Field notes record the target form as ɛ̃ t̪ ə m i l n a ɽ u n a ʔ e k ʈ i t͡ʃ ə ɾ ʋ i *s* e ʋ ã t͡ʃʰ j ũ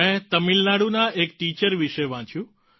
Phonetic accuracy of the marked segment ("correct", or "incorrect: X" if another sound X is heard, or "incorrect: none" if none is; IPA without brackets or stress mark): incorrect: ʃ